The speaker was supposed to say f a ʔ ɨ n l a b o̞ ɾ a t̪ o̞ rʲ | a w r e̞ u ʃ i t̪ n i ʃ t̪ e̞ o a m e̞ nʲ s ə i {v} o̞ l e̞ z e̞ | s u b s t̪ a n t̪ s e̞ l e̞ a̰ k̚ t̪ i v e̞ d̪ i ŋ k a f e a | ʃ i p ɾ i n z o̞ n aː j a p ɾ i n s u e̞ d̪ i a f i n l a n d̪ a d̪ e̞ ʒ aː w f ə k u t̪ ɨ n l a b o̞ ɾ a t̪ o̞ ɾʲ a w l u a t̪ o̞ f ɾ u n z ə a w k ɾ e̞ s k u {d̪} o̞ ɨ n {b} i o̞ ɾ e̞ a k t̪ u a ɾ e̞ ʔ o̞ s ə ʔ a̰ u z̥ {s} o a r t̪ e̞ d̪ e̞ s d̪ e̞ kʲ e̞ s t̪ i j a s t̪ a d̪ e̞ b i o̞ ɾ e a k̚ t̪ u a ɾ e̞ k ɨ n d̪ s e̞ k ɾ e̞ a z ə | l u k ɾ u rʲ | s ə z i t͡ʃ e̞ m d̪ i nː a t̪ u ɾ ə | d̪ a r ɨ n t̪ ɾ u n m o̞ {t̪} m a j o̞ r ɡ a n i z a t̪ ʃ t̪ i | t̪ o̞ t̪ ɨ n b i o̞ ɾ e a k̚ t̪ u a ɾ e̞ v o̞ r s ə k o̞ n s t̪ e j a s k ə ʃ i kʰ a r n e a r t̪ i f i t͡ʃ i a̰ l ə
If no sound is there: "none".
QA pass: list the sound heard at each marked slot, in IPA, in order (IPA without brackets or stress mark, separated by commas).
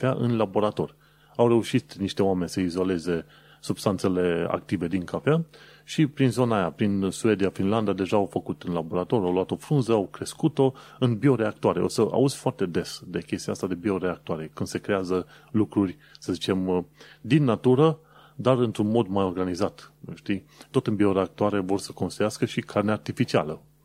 z, t̪, b, f, d̪